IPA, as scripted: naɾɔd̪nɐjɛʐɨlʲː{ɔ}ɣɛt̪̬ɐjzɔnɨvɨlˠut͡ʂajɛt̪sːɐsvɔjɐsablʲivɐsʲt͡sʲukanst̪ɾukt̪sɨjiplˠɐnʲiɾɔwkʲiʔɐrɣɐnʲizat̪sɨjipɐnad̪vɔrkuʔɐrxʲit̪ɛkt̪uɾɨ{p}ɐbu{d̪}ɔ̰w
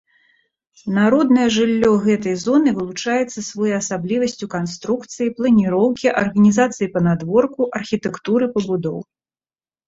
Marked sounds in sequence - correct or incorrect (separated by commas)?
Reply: correct, correct, correct